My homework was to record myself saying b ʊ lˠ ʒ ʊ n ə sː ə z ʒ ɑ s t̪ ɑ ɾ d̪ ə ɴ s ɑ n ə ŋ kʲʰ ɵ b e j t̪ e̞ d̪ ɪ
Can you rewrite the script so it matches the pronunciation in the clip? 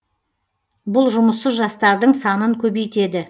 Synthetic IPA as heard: b ʊ lˠ ʒ ʊ m ə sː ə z ʒ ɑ s t̪ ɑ ɾ d̪ ə ɴ s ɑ n ə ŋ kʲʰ ɵ b e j t̪ e̞ d̪ ɪ